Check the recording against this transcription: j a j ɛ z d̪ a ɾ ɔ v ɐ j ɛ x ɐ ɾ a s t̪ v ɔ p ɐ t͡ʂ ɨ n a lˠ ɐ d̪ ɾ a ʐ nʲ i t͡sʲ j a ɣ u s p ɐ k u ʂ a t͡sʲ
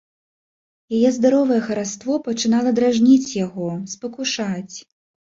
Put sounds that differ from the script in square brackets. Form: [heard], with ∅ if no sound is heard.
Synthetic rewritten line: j a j ɛ z d̪ a ɾ ɔ v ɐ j ɛ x ɐ ɾ a s t̪ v ɔ p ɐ t͡ʂ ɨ n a lˠ ɐ d̪ ɾ a ʐ nʲ i t͡sʲ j a ɣ [ɔ] s p ɐ k u ʂ a t͡sʲ